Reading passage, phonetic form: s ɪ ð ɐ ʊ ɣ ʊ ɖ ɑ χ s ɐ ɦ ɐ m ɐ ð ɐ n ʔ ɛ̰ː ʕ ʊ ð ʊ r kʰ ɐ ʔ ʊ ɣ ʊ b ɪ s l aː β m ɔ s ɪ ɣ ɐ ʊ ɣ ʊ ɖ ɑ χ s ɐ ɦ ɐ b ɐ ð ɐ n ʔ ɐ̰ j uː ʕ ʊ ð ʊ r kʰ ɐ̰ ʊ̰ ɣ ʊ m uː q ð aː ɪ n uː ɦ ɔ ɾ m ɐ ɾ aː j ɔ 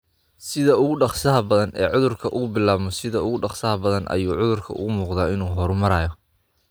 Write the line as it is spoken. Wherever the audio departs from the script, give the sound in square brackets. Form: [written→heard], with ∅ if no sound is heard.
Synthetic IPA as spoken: s ɪ ð ɐ ʊ ɣ ʊ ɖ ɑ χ s ɐ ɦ ɐ [m→b] ɐ ð ɐ n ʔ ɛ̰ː ʕ ʊ ð ʊ r kʰ ɐ ʔ ʊ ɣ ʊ b ɪ [s→∅] l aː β m ɔ s ɪ [ɣ→ð] ɐ ʊ ɣ ʊ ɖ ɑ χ s ɐ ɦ ɐ b ɐ ð ɐ n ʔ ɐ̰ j uː ʕ ʊ ð ʊ r kʰ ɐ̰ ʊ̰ ɣ ʊ m uː q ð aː ɪ n uː ɦ ɔ ɾ m ɐ ɾ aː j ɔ